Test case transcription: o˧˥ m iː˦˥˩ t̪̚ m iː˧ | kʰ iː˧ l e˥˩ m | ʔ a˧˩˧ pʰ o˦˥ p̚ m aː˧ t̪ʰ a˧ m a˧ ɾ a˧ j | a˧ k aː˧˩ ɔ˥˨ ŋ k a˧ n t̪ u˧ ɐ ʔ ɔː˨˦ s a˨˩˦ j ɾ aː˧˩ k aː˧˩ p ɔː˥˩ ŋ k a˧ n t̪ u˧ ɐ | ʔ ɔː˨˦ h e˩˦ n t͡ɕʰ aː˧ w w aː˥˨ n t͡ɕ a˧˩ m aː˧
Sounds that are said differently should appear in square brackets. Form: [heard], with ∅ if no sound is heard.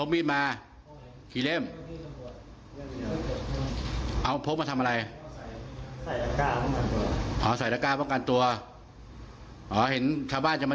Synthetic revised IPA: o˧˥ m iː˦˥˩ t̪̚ m [aː˧] | kʰ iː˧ l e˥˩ m | ʔ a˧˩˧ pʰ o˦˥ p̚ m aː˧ t̪ʰ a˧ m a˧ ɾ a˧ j | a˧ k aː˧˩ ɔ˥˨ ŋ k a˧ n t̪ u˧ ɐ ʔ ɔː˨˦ s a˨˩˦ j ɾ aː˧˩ k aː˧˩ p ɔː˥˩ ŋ k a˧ n t̪ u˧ ɐ | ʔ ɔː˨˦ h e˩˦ n t͡ɕʰ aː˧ w [b] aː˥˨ n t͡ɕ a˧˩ m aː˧

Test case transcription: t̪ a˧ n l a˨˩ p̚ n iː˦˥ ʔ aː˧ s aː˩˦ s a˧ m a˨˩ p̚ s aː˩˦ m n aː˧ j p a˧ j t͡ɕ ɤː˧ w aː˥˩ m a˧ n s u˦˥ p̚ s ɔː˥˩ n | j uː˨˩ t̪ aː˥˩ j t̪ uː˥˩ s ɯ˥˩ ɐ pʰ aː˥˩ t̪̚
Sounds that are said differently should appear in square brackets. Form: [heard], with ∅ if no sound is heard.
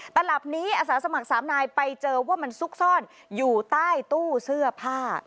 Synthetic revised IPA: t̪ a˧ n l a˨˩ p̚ n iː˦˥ ʔ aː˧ s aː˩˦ s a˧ m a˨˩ [k̚] s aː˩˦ m n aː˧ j p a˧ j t͡ɕ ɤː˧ w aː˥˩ m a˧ n s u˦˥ [k̚] s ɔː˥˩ n | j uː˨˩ t̪ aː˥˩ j t̪ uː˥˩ s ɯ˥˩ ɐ pʰ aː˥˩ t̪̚

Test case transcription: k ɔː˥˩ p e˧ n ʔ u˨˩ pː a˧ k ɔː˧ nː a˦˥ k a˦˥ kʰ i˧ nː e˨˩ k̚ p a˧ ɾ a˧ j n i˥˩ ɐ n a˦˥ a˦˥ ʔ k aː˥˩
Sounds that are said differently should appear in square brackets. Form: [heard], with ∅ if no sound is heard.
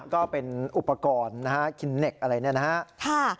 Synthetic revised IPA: k ɔː˥˩ p e˧ n ʔ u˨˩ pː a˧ k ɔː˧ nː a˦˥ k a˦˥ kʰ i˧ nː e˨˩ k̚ [ʔ] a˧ ɾ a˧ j n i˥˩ ɐ n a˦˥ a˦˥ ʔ [kʰ] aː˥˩

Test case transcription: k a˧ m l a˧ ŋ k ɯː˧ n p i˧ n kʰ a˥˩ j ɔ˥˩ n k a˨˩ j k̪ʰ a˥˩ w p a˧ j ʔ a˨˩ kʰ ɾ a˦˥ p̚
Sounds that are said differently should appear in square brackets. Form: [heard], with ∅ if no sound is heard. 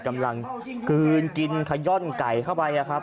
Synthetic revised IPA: k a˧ m l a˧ ŋ k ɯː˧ n [k] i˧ n kʰ [a˧] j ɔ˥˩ n k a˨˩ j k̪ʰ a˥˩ w p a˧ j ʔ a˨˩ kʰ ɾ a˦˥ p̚

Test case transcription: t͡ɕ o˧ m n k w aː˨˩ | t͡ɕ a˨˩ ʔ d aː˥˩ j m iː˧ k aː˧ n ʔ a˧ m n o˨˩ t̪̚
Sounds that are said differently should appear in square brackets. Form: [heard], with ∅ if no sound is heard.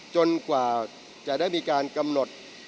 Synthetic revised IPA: t͡ɕ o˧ [∅] n k w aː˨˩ | t͡ɕ a˨˩ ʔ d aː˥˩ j m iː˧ k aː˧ n [k] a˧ m n o˨˩ t̪̚

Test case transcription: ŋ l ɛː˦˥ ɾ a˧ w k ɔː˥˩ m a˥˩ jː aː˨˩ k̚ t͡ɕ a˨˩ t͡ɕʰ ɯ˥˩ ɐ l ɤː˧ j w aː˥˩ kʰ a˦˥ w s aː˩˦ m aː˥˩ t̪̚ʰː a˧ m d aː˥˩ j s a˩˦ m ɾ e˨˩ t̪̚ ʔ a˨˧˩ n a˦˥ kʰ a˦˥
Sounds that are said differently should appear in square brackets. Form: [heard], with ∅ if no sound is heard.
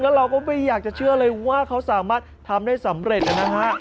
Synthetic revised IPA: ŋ l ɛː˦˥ ɾ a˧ w k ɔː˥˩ m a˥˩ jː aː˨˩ k̚ t͡ɕ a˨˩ t͡ɕʰ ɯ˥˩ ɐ l ɤː˧ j w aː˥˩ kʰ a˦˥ w s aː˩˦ m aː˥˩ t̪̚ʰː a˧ m d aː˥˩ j s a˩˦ m ɾ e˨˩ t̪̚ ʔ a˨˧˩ n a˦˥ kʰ a˦˥

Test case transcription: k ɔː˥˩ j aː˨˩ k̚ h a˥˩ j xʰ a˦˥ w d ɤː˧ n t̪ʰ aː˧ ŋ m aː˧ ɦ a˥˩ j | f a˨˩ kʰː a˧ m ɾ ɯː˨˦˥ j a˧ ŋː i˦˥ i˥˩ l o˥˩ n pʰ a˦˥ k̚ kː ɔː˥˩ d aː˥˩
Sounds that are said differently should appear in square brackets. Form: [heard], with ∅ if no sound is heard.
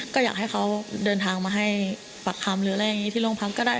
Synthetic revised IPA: k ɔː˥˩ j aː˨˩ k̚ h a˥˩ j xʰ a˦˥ w d ɤː˧ n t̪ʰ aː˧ ŋ m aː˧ ɦ a˥˩ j | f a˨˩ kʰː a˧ m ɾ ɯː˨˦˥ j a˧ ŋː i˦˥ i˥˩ l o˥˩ [ŋ] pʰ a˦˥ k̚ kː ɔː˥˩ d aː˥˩

